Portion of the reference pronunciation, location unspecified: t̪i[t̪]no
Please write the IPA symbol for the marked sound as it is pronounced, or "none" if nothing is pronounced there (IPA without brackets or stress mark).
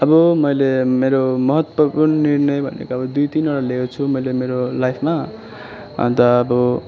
none